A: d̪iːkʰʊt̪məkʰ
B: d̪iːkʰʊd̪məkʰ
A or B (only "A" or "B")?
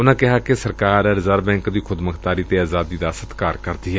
B